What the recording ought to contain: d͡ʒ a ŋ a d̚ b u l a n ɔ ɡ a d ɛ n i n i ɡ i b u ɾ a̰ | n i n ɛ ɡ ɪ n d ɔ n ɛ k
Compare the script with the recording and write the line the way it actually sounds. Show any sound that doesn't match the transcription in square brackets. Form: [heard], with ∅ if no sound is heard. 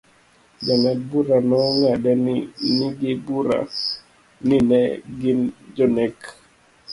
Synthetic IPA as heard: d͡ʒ a ŋ a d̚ b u [ɾ] a n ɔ [ŋ] a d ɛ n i n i ɡ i b u ɾ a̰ | n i n ɛ ɡ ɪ n [d͡ʒ] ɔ n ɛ k